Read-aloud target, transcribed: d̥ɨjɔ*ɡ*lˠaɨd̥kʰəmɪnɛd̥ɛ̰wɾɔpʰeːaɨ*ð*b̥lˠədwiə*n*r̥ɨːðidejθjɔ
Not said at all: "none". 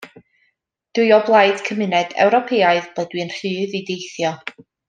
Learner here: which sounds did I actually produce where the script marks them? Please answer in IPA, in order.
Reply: b, ð, n

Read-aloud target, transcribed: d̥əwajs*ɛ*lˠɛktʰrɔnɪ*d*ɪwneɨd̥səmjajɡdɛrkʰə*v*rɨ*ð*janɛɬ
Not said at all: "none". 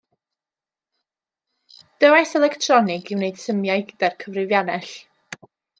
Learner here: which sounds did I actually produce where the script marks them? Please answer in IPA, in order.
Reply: ɛ, ɡ, v, v

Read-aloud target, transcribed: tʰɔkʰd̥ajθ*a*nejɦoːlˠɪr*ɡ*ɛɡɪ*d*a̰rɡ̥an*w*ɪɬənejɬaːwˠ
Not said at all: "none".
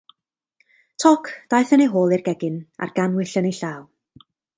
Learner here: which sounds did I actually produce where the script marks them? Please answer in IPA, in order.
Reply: ə, ɡ, n, w

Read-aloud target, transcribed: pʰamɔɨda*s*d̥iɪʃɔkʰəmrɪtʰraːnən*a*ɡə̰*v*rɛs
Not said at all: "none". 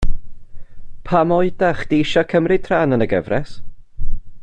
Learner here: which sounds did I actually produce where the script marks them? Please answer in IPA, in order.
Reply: χ, ə, v

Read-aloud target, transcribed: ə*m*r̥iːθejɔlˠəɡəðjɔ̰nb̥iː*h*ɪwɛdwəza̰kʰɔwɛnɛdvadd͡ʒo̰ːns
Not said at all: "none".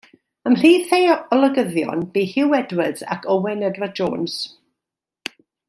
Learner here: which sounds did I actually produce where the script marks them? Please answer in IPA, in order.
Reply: m, h

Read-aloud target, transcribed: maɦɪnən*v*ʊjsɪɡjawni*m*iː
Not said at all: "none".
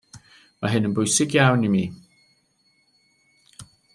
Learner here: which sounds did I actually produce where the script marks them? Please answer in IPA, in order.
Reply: b, m

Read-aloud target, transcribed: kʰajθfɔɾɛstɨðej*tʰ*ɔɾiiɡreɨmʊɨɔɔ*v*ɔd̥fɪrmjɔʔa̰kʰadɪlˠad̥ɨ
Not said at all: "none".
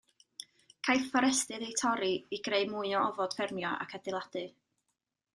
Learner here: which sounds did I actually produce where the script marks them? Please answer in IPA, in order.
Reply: tʰ, v

